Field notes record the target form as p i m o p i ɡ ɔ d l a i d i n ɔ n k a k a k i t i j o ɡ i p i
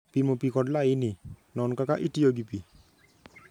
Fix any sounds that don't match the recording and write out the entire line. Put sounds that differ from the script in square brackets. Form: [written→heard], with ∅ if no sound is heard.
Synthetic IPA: p i m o p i [ɡ→k] ɔ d l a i [d→n] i n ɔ n k a k a [k→ʔ] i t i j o ɡ i p i